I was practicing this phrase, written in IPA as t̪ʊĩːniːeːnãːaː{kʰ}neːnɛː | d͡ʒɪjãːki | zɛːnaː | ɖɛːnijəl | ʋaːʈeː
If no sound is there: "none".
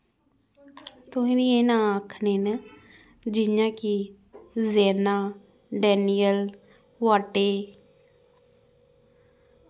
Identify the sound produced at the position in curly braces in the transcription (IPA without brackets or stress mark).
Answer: kʰ